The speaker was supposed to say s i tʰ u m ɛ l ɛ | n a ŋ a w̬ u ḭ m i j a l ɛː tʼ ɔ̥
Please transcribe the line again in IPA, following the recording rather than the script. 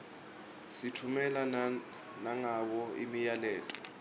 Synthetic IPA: s i tʰ u m ɛ l a | n a ŋ a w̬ ɔ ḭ m i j a l ɛː tʼ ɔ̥